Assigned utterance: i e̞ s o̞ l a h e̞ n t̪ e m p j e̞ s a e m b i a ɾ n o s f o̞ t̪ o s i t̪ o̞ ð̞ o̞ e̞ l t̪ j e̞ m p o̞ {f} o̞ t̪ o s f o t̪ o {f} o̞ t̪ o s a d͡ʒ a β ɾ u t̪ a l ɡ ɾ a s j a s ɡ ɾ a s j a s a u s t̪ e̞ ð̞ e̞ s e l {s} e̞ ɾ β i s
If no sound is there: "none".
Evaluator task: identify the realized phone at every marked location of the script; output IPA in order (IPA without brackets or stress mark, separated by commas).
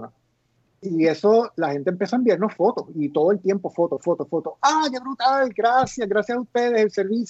f, f, s